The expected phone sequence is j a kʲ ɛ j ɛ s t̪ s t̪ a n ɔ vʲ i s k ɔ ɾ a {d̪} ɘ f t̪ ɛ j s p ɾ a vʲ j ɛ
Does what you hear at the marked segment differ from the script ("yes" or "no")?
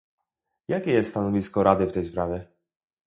no